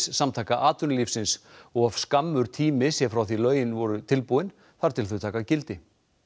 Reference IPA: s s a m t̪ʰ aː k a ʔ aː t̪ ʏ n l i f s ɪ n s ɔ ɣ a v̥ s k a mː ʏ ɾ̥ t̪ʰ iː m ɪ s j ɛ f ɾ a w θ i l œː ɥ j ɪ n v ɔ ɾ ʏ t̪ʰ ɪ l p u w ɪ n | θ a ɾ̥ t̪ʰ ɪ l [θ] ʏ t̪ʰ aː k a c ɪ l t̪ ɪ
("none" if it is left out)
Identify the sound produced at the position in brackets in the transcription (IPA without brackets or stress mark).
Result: θ